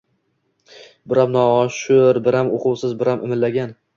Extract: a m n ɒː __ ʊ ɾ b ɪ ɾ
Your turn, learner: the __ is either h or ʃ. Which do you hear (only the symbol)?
ʃ